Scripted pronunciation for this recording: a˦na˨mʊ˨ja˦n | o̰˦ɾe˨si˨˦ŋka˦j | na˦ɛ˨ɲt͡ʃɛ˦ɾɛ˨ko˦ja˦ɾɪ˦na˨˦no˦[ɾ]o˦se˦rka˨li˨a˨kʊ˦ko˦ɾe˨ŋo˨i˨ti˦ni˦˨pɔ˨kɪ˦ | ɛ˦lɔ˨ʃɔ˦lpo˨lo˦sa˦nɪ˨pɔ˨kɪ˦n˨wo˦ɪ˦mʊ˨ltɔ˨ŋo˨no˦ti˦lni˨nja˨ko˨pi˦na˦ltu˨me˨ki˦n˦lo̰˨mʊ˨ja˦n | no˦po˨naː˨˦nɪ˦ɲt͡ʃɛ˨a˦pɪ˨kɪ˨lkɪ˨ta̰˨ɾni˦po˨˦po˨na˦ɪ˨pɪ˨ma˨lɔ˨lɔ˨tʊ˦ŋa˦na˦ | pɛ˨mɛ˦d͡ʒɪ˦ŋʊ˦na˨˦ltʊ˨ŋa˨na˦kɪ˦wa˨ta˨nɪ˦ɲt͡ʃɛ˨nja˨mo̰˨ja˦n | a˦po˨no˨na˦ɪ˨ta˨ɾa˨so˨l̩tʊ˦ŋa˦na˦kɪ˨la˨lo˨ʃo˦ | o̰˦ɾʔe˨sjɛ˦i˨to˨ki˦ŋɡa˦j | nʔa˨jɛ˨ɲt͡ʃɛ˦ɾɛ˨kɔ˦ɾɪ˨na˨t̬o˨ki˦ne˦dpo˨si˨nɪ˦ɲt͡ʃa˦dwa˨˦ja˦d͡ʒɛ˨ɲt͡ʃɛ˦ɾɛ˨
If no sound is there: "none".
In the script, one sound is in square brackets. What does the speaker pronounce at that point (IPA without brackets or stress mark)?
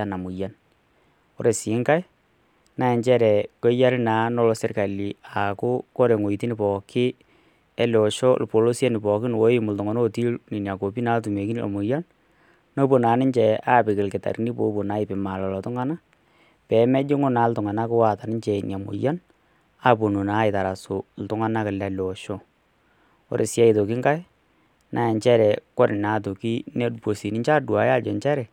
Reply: l